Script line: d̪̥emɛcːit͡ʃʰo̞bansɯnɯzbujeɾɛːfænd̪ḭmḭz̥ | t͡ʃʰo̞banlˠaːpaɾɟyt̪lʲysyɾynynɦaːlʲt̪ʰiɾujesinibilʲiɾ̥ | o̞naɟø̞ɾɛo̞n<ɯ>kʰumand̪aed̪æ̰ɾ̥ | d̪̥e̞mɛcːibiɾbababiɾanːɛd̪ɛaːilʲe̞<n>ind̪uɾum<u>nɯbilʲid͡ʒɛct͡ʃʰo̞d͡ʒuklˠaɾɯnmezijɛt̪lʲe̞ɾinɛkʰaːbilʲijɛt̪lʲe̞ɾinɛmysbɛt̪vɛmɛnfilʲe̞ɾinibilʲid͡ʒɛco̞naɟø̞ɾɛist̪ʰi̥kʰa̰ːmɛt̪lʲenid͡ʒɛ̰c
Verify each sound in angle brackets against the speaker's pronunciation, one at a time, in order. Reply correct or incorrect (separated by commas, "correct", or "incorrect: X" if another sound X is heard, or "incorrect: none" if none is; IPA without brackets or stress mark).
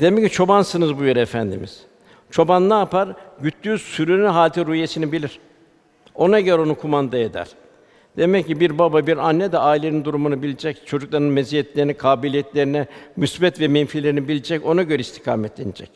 incorrect: u, correct, correct